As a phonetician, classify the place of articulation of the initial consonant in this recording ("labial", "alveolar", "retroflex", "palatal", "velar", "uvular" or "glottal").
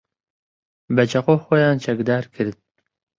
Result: labial